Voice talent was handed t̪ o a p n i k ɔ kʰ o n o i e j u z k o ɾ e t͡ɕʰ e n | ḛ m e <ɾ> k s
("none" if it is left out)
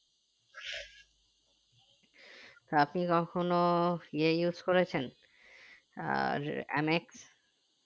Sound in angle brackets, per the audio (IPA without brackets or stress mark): none